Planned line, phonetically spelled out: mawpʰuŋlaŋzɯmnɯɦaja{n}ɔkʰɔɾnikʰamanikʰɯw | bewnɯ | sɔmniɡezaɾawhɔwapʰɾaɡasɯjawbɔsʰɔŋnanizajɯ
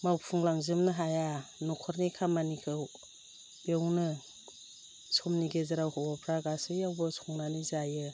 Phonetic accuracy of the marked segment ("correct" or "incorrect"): correct